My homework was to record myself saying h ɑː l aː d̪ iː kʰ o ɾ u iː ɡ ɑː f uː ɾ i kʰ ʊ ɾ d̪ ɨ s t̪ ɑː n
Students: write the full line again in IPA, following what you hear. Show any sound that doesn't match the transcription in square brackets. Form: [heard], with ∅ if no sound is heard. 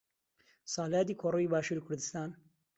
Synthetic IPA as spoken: [s] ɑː l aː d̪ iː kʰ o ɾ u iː [b] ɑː [ʃ] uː ɾ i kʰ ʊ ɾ d̪ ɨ s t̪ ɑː n